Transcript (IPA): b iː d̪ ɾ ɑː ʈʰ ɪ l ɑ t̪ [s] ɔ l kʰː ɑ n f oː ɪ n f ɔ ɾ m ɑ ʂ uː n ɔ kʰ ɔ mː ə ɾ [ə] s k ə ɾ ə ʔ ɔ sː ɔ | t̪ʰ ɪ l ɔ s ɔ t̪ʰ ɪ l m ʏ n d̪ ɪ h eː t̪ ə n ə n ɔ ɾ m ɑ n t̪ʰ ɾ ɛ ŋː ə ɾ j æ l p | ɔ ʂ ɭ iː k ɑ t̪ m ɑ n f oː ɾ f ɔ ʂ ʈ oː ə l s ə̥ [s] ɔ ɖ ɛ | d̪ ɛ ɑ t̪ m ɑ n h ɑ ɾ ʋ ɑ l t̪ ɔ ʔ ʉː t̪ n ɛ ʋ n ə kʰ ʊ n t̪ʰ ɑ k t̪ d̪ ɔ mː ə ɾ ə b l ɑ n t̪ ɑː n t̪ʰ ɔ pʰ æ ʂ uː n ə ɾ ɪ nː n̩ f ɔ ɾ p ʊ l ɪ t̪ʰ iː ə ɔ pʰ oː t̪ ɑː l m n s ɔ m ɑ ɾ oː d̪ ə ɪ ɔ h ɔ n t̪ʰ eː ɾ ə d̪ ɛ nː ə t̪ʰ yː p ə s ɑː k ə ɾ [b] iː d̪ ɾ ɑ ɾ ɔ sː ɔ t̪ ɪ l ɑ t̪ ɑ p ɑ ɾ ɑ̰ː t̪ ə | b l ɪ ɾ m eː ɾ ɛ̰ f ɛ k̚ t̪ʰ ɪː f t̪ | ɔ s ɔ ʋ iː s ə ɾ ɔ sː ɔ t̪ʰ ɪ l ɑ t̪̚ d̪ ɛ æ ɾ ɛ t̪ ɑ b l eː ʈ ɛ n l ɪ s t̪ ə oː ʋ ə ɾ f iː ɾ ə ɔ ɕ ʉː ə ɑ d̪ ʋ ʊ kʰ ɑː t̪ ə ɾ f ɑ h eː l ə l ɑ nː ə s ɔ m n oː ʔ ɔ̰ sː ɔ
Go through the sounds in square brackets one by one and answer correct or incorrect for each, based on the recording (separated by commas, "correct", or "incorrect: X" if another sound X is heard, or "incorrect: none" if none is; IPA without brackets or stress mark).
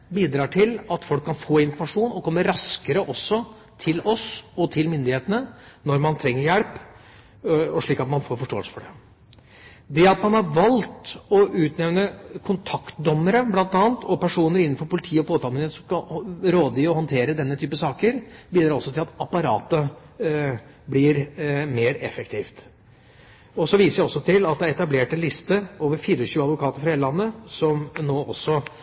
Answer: incorrect: f, incorrect: ɑ, incorrect: f, correct